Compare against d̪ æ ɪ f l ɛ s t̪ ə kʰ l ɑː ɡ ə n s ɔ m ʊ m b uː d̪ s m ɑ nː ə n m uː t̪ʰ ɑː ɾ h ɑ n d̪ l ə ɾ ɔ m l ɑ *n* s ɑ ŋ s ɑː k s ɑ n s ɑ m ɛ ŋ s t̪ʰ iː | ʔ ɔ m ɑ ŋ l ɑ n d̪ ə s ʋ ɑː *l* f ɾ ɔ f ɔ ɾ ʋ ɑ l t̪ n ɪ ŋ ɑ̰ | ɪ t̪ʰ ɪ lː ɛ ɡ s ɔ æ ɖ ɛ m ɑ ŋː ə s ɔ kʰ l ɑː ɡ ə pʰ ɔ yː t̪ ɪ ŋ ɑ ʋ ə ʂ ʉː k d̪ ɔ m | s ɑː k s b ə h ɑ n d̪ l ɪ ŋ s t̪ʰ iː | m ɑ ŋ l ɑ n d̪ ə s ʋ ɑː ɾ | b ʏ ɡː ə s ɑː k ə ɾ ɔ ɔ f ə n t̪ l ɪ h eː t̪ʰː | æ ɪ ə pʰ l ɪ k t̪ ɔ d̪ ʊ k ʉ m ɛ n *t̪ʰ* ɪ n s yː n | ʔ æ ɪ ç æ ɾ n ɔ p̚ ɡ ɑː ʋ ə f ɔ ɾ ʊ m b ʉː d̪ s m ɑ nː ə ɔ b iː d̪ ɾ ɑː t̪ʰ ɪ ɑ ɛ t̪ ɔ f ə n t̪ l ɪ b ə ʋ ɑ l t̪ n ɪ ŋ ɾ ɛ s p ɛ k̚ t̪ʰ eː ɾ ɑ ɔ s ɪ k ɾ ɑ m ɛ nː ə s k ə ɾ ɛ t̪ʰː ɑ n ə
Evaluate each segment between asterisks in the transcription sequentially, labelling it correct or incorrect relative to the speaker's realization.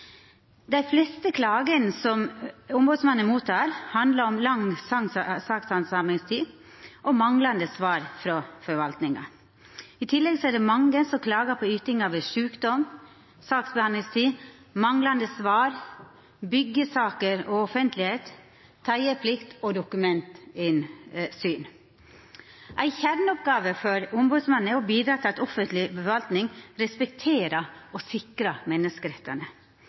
incorrect: ŋ, incorrect: ɾ, incorrect: t̪

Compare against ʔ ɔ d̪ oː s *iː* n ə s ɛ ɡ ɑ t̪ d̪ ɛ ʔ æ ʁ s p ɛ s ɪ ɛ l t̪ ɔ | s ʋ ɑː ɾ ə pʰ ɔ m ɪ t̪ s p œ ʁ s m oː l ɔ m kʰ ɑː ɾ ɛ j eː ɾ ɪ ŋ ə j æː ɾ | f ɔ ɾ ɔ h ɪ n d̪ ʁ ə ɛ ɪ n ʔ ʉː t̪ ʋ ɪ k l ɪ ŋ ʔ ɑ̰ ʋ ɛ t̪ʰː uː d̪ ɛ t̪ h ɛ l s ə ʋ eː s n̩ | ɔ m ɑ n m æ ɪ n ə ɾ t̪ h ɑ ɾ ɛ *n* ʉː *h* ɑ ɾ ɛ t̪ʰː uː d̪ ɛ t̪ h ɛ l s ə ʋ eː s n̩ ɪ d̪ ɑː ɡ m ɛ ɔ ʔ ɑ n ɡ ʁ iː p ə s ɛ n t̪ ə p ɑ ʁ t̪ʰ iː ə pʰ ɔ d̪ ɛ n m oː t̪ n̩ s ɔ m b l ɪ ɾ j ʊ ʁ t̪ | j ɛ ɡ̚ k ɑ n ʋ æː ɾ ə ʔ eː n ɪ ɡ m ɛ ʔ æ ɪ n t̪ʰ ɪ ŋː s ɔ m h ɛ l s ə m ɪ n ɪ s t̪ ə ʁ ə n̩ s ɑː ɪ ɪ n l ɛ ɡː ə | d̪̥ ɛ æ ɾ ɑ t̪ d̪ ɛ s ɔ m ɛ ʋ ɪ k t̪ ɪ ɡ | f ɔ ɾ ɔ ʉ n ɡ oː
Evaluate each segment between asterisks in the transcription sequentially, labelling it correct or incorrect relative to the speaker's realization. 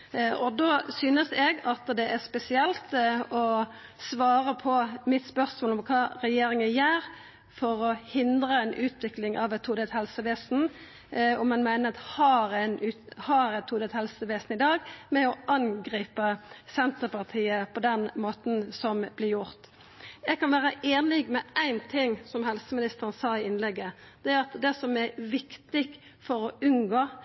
incorrect: yː, correct, correct

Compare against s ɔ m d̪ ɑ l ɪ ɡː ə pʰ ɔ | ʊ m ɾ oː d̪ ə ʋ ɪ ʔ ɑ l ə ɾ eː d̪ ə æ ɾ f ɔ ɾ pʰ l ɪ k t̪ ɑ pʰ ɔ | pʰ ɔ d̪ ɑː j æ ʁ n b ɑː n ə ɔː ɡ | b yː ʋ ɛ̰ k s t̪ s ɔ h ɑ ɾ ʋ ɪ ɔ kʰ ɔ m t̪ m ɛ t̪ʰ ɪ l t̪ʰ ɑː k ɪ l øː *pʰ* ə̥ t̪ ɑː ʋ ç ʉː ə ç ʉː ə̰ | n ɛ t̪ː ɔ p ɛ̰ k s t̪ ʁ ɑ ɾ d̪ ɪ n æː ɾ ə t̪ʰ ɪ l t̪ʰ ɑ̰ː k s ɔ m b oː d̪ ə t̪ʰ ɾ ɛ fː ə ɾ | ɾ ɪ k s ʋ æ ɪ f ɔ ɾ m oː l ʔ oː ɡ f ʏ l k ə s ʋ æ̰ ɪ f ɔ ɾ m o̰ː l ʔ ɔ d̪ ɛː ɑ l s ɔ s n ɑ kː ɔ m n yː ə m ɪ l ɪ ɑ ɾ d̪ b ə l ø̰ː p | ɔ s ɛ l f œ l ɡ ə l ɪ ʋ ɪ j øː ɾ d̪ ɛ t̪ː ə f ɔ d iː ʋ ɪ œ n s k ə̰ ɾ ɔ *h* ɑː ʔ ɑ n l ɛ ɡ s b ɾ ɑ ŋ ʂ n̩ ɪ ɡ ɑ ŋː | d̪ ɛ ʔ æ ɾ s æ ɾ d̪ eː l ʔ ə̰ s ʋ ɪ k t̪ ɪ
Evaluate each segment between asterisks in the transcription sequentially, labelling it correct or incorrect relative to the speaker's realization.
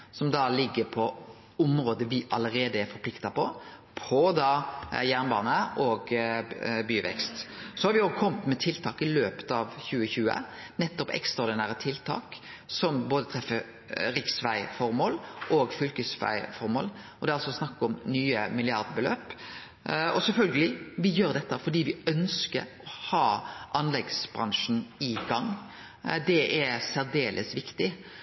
incorrect: p, correct

